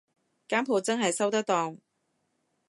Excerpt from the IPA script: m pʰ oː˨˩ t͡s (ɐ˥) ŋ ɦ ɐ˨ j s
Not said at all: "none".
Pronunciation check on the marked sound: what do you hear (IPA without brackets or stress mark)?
ɐ˥